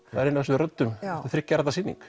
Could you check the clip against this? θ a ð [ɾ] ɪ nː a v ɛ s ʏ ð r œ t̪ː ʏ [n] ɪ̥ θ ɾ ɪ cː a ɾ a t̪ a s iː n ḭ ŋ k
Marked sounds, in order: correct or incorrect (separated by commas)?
correct, incorrect